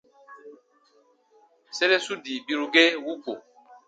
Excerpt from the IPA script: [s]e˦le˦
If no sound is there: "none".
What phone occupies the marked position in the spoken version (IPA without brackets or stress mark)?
s